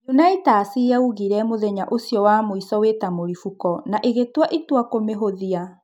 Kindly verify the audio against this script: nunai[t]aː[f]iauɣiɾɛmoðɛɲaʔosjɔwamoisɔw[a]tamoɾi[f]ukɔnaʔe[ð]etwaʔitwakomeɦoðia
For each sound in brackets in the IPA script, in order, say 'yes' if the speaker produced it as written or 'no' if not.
yes, no, no, yes, no

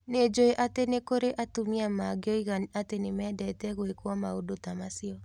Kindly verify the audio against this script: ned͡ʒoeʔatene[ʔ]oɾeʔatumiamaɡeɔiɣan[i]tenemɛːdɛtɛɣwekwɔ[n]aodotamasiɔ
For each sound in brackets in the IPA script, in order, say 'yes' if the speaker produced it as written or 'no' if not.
no, no, no

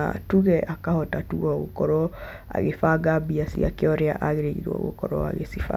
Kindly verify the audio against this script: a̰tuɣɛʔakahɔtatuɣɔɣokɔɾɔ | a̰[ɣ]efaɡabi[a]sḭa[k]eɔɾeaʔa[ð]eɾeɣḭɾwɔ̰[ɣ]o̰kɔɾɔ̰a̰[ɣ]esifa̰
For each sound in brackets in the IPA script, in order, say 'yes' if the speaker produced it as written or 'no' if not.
yes, yes, yes, no, yes, yes

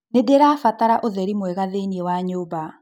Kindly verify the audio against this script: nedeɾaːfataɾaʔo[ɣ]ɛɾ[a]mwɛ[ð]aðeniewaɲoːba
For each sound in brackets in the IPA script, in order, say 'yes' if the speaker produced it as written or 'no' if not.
no, no, no

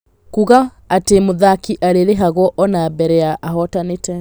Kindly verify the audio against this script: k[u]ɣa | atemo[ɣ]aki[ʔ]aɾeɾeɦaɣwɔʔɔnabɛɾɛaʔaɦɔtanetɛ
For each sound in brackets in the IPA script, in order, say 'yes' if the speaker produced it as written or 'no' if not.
yes, no, yes

